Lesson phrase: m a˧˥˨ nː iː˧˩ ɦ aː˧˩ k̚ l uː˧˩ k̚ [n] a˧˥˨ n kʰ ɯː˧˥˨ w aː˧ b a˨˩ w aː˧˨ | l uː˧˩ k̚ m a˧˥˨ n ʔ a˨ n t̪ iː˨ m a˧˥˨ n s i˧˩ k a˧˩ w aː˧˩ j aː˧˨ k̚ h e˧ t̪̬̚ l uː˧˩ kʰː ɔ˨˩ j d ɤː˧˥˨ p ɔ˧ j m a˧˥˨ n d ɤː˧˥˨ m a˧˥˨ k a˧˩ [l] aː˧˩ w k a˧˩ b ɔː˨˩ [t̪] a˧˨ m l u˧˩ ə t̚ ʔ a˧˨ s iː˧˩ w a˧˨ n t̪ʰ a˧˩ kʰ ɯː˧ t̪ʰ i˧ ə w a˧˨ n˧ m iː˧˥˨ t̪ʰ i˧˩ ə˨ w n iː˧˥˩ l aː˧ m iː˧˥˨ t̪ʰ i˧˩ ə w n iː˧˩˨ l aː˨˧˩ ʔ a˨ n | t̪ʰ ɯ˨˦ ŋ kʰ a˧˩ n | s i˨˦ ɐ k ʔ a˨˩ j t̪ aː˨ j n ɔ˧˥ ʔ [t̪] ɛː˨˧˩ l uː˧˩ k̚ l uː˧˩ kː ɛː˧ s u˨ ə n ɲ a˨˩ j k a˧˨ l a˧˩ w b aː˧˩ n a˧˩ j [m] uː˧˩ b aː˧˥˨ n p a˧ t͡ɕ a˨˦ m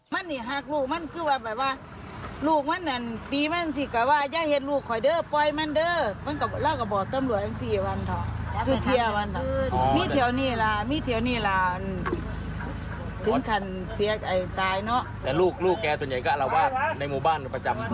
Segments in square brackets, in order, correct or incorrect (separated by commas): incorrect, correct, correct, correct, correct